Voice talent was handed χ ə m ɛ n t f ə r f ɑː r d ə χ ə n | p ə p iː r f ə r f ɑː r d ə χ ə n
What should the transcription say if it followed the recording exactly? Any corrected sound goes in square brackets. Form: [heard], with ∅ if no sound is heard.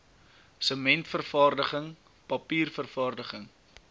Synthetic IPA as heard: [s] ə m ɛ n t f ə r f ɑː r d ə χ ə [ŋ] | p [ɐ] p iː r f ə r f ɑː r d ə χ ə [ŋ]